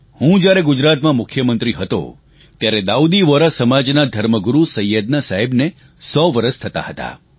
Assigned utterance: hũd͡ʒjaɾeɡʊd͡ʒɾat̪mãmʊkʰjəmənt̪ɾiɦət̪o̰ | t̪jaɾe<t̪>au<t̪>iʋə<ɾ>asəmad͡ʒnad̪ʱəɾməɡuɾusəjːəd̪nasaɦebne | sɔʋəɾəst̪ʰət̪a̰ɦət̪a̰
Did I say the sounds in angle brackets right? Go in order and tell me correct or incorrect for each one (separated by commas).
incorrect, incorrect, correct